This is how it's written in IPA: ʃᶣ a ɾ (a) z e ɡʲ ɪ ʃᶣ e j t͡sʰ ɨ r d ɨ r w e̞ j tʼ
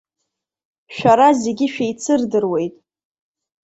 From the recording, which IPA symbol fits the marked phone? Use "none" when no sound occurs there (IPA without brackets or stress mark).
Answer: a